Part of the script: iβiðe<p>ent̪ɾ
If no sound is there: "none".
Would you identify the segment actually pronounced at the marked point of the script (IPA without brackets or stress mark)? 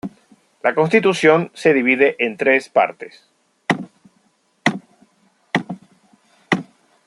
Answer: ʔ